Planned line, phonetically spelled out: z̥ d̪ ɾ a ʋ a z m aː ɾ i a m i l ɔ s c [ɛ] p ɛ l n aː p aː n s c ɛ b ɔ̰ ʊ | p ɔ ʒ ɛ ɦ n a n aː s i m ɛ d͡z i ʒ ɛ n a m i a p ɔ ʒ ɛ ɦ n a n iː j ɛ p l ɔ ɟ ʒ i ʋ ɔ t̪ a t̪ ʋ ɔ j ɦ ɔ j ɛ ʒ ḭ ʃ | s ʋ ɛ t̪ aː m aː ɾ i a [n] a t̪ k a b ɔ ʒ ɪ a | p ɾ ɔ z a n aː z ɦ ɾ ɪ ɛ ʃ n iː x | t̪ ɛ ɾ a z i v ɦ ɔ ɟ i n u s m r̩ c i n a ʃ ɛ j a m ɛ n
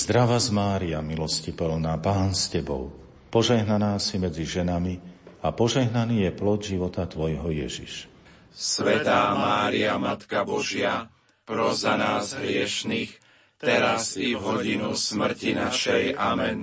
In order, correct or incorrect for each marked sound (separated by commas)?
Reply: incorrect, incorrect